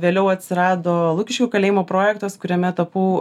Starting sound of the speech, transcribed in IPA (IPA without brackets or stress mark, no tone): ʋʲ